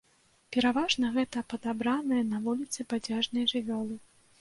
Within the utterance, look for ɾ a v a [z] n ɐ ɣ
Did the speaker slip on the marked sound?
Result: yes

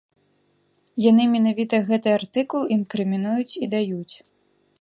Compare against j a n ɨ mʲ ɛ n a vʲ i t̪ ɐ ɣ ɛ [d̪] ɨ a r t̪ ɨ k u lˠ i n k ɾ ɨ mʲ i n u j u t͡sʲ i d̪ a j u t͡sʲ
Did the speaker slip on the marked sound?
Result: yes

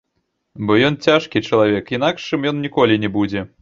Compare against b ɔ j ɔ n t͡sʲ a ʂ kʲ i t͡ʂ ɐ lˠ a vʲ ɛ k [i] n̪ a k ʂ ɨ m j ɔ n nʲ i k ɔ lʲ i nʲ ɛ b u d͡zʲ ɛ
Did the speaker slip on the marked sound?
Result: no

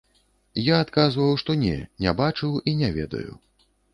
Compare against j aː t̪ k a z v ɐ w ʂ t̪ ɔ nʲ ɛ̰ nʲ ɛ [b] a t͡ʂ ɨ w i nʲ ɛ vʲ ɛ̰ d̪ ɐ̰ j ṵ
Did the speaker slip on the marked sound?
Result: no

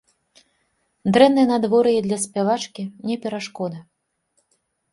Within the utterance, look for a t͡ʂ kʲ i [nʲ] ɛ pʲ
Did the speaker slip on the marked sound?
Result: no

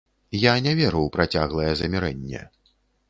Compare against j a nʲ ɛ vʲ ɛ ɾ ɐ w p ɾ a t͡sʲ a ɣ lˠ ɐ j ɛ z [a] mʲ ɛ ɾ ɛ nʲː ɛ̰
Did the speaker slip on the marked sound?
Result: yes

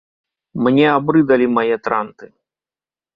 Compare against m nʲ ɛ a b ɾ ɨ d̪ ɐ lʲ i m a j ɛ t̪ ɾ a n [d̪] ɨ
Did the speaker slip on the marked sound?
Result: yes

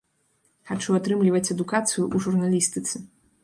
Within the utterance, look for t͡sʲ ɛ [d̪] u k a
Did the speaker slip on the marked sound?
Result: no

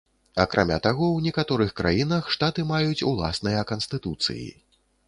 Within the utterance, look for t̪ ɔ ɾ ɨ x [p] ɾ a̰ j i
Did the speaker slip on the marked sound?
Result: yes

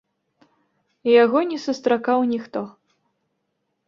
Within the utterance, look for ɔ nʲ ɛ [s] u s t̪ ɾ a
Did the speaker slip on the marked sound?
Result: no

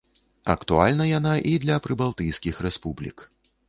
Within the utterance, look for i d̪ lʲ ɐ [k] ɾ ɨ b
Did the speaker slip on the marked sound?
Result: yes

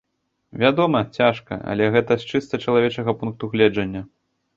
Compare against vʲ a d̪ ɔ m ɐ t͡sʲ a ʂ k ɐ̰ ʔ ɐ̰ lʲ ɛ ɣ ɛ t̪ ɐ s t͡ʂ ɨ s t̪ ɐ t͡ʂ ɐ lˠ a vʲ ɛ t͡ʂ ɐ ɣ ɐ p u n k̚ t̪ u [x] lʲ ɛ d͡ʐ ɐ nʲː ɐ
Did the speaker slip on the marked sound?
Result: yes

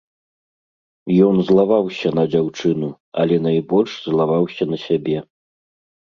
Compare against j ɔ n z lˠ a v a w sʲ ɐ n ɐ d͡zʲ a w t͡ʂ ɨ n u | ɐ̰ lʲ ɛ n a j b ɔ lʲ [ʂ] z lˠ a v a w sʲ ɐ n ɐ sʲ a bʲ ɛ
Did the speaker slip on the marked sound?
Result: no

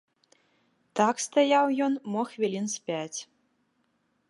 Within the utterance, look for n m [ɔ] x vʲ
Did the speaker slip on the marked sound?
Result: no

